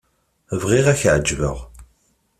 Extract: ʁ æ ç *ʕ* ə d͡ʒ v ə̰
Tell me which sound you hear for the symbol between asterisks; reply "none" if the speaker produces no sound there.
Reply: ʕ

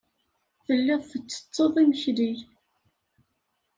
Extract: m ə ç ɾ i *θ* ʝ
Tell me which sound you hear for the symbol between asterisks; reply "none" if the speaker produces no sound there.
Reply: none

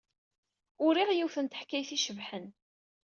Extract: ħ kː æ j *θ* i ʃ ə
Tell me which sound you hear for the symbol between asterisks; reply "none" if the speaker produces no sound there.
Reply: θ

